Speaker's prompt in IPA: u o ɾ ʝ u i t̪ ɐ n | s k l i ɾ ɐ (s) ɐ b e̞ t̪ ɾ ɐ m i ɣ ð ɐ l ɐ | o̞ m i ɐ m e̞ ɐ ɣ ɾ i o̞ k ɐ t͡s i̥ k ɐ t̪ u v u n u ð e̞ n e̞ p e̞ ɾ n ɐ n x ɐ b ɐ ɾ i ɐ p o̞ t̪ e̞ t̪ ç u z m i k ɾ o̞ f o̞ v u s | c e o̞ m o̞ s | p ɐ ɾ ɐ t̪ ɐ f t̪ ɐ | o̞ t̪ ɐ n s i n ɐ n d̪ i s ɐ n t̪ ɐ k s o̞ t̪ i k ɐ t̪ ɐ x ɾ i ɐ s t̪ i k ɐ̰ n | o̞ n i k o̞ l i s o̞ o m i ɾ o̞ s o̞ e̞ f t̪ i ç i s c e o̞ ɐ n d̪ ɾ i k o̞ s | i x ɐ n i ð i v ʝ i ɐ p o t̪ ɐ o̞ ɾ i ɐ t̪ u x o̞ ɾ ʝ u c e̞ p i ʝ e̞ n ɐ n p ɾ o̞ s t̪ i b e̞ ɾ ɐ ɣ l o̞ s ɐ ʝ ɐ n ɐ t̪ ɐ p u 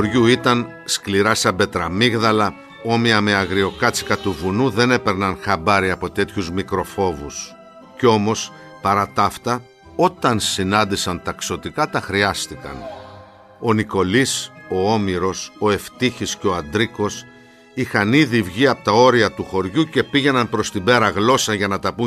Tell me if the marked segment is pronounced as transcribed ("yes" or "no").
yes